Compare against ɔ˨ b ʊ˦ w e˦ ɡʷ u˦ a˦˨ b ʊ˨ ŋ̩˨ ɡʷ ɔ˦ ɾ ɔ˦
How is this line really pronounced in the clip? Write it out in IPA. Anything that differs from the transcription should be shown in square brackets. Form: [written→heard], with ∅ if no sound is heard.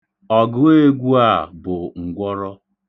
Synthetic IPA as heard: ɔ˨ [b→ɡ] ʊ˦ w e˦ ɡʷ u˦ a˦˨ b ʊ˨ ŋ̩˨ ɡʷ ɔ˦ ɾ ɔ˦